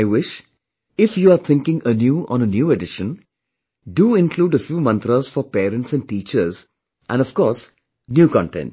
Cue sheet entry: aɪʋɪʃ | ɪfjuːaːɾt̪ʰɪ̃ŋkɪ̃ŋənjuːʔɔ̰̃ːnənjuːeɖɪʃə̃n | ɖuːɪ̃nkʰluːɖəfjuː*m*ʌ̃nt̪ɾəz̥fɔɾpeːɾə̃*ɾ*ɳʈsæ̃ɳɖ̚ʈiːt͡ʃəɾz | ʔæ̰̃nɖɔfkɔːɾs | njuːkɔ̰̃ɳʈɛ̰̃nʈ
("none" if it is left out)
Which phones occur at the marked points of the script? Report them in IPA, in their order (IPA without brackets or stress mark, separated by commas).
m, none